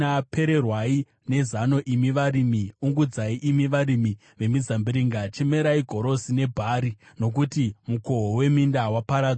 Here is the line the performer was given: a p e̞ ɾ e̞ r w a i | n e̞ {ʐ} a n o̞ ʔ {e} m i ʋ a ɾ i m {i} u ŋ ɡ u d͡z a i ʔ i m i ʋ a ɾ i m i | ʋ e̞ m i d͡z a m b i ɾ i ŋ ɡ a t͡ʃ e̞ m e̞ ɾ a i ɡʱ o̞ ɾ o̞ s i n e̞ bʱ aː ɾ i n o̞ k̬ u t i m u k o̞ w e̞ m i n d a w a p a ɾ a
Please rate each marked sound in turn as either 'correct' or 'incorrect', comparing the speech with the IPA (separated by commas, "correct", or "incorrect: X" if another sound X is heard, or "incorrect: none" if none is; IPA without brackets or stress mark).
incorrect: z, incorrect: i, correct